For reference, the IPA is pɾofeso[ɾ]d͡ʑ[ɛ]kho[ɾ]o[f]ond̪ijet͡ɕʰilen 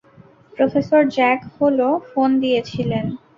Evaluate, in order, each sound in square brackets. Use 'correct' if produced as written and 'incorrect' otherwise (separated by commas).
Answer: correct, correct, incorrect, correct